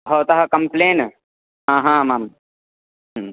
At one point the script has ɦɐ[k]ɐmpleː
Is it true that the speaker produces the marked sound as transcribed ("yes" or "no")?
yes